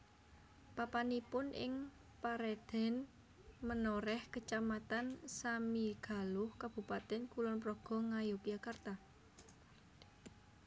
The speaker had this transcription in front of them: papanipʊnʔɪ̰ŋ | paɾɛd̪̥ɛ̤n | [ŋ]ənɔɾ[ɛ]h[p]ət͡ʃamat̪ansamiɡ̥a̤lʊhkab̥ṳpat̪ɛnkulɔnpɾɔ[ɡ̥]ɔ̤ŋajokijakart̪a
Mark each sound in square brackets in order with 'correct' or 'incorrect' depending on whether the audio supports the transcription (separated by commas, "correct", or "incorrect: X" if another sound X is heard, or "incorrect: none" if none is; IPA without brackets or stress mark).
incorrect: m, correct, incorrect: k, correct